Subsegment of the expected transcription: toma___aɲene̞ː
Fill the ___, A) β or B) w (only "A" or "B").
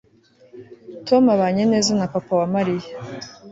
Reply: A